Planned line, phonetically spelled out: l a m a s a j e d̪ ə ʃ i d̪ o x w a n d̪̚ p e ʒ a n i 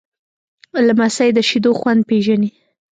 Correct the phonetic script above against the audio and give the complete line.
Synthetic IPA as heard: l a m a s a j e d̪ ə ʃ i d̪ o x w a n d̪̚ p e ʒ a n i